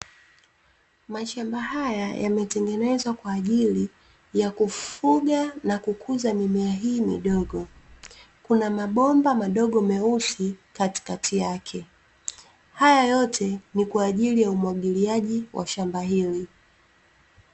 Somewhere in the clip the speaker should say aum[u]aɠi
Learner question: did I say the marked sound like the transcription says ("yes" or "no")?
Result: no